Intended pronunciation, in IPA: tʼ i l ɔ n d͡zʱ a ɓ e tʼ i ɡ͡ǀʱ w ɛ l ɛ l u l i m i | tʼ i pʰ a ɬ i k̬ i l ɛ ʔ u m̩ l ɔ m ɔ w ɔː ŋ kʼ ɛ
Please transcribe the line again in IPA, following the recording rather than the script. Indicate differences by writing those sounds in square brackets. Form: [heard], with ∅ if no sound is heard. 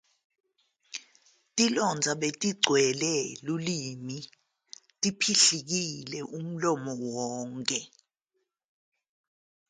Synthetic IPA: tʼ i l ɔ n d͡zʱ a ɓ e tʼ i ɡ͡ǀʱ w ɛ l ɛ l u l i m i | tʼ i pʰ [i] ɬ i k̬ i l ɛ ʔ u m̩ l ɔ m ɔ w ɔː ŋ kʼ ɛ